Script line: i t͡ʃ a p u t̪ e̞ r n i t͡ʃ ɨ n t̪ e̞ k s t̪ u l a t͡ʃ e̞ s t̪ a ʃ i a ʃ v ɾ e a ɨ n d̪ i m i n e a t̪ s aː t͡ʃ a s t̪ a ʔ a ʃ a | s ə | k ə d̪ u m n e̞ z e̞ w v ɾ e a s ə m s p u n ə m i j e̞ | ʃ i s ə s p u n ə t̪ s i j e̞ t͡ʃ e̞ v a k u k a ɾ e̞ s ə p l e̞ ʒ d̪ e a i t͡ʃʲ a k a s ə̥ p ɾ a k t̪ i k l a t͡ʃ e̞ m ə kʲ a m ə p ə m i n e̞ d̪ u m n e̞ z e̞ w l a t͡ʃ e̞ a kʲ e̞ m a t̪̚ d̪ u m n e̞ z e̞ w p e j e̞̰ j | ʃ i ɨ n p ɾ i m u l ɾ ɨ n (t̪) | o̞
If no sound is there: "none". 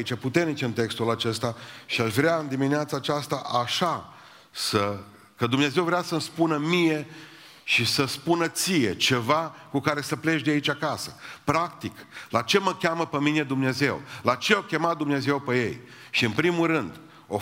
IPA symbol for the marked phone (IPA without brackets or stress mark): d̪